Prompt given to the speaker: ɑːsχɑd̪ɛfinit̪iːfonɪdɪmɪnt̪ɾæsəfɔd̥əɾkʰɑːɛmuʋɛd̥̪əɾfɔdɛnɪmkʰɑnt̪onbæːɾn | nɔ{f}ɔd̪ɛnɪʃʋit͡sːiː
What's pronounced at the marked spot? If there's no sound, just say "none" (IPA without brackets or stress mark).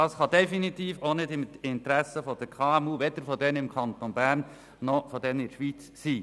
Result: f